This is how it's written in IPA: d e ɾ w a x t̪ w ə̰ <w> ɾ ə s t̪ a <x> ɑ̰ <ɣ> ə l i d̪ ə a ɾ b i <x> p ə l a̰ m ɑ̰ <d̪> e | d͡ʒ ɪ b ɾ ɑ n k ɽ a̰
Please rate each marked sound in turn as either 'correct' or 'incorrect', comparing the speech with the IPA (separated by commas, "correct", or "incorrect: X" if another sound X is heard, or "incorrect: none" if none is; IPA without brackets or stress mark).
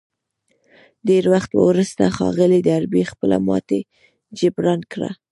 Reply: correct, correct, correct, correct, incorrect: t̪